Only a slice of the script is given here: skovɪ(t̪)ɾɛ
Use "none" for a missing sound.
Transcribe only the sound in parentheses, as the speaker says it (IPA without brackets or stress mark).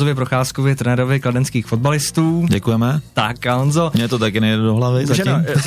t̪